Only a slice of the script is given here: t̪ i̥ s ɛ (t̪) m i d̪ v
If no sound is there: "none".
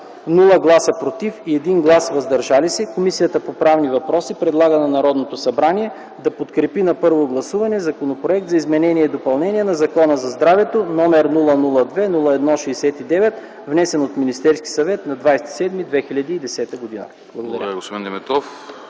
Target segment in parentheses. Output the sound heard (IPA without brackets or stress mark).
d̪